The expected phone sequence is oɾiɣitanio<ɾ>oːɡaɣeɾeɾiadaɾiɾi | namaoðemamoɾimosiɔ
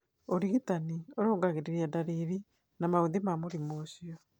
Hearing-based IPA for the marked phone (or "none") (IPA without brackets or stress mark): ɾ